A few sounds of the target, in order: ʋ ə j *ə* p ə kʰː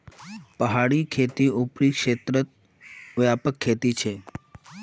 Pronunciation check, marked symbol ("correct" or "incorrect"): incorrect